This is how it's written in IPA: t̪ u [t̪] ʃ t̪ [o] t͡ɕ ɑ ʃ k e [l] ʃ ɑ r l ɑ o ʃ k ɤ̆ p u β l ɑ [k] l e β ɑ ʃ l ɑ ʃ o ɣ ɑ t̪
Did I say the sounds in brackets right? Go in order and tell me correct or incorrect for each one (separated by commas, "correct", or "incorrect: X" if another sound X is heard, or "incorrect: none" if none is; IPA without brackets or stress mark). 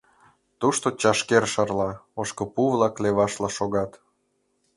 incorrect: none, correct, incorrect: r, correct